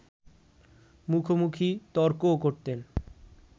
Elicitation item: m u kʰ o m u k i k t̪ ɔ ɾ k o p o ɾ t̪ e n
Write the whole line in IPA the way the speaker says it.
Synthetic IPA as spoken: m u kʰ o m u kʰ i t̪ ɔ ɾ k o k o ɾ t̪ e n